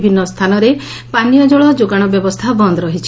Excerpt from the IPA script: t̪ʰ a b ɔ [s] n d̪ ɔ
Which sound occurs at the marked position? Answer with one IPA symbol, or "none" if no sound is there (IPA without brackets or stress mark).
none